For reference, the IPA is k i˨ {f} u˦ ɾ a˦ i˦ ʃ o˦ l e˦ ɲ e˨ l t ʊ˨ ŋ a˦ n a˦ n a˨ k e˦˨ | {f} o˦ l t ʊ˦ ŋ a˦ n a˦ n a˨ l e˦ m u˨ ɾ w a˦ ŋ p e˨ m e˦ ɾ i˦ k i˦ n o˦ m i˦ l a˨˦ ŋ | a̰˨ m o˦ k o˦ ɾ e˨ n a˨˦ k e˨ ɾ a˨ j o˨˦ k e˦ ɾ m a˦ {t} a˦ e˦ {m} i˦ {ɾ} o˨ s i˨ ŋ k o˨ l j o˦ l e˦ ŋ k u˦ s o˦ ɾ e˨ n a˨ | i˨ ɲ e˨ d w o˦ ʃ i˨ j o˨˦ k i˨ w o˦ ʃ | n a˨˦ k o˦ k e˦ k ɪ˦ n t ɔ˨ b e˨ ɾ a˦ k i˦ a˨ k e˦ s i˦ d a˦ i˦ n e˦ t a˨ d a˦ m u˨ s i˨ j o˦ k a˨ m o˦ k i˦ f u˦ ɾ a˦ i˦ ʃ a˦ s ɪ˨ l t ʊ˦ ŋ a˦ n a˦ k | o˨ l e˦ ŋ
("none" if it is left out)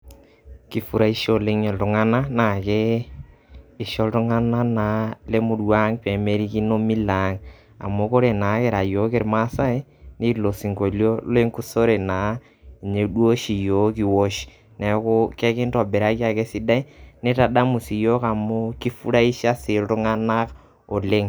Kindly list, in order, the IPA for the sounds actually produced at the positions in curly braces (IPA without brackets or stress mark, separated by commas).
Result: f, ʃ, s, n, l